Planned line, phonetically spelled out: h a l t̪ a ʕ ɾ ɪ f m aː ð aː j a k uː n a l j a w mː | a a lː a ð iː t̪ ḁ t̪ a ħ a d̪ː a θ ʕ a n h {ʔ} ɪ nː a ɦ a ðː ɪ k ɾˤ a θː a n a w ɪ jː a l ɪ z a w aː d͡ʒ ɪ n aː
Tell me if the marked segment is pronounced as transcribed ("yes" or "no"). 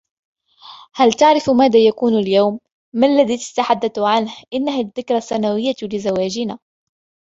yes